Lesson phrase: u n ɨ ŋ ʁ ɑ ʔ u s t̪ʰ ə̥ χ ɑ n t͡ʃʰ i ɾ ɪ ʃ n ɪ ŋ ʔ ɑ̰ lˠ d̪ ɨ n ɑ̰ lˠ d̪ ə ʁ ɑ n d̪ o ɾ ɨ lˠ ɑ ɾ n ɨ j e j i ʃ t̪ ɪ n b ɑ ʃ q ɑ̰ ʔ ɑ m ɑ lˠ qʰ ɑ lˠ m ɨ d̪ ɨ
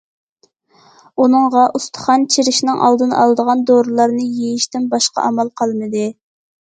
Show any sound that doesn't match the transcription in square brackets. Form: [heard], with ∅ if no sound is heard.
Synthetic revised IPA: u n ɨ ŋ ʁ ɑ ʔ u s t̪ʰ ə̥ χ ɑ n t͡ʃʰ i ɾ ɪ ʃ n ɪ ŋ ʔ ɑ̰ lˠ d̪ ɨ n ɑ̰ lˠ d̪ ə ʁ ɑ n d̪ o ɾ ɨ lˠ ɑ ɾ n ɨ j e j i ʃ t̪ ɪ n b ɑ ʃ q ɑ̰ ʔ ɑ m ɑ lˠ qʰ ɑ lˠ m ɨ d̪ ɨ